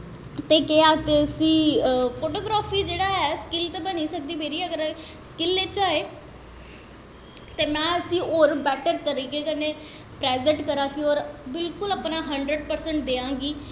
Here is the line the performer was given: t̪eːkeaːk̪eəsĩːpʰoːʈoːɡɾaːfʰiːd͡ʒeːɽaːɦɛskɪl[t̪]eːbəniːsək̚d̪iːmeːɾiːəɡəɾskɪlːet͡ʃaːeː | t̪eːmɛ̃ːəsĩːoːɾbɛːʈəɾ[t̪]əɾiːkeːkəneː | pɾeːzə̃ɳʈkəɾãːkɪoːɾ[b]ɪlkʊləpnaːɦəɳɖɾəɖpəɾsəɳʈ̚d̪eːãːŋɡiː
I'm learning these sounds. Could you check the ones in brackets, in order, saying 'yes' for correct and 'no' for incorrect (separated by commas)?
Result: yes, yes, yes